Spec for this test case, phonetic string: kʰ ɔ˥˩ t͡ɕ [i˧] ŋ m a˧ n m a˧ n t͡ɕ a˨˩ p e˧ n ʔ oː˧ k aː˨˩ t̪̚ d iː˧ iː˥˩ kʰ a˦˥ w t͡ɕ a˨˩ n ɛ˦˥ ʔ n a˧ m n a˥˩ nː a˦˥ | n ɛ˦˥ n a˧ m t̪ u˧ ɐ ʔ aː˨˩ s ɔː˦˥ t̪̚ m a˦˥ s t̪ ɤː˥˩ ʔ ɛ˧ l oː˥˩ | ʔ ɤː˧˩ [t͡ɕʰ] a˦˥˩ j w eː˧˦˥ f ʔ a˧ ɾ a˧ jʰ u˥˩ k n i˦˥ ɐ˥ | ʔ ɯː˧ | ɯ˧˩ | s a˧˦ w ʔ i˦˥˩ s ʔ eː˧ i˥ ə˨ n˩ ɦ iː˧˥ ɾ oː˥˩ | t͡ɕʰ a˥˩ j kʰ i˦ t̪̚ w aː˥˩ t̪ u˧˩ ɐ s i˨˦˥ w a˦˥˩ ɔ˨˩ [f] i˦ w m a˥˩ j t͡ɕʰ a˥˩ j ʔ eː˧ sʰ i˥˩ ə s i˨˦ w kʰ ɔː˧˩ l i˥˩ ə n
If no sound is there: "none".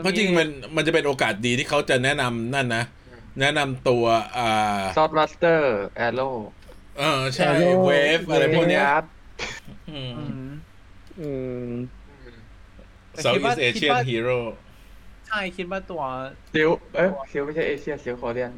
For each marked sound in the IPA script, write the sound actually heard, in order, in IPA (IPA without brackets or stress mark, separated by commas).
i˧, t͡ɕʰ, s